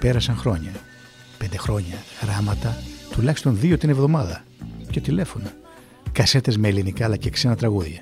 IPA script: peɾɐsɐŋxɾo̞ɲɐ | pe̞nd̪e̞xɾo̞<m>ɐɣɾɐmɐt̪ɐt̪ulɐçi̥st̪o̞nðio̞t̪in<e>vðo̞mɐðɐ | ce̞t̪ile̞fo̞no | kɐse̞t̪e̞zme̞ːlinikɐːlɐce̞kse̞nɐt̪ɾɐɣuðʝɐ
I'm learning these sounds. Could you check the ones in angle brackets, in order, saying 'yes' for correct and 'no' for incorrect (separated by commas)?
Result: no, yes